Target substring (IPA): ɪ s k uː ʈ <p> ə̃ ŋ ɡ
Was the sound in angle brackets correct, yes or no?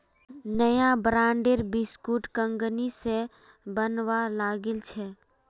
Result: no